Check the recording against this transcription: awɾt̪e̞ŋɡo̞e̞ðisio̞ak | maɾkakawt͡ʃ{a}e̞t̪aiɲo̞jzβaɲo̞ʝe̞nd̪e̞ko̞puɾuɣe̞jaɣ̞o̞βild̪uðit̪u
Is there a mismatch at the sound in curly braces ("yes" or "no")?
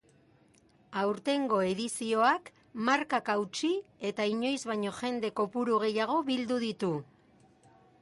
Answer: yes